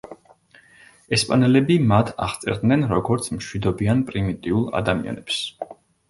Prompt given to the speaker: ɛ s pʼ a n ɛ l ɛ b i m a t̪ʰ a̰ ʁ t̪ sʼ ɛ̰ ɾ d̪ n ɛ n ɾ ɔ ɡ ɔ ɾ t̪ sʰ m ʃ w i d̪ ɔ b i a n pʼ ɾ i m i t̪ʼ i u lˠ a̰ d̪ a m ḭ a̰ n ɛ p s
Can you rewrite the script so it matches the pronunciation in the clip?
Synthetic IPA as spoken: ɛ s pʼ a n ɛ l ɛ b i m a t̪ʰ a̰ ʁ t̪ sʼ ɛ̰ ɾ d̪ n ɛ n ɾ ɔ ɡ ɔ ɾ t̪ sʰ m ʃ w i d̪ ɔ b i a n pʼ ɾ i m i t̪ʼ i u lˠ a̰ d̪ a m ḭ a̰ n ɛ p s